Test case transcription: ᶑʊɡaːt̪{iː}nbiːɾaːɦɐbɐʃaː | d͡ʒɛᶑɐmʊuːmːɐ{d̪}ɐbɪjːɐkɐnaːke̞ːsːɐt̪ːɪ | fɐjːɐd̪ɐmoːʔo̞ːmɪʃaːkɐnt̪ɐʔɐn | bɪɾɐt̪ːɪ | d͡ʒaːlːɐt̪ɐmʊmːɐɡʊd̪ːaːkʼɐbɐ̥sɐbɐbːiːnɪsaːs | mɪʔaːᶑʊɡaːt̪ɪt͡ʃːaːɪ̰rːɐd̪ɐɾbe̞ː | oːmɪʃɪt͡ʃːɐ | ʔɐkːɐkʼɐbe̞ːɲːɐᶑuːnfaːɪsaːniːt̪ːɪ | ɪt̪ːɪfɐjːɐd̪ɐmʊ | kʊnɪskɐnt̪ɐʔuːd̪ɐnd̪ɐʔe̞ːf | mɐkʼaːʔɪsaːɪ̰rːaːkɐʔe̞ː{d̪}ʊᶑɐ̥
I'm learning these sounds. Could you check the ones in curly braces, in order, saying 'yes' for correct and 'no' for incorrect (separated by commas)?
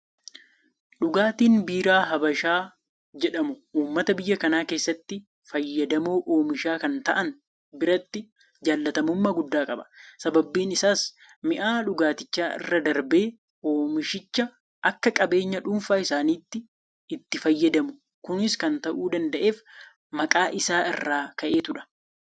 yes, no, no